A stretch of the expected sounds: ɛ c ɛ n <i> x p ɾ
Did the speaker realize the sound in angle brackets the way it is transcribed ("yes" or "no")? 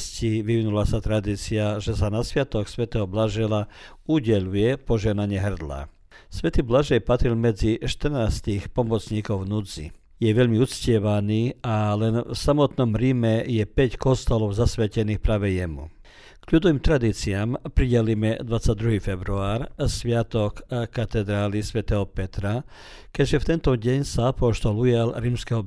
no